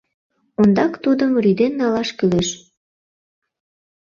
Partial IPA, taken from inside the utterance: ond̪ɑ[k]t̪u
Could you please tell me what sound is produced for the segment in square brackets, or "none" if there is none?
k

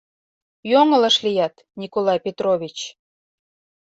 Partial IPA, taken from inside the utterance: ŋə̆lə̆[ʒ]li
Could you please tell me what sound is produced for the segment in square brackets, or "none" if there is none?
ʃ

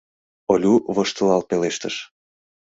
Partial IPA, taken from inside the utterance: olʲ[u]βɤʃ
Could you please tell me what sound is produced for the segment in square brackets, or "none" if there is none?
u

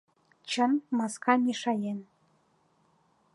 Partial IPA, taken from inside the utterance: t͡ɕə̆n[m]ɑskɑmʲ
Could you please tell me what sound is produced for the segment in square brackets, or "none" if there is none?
m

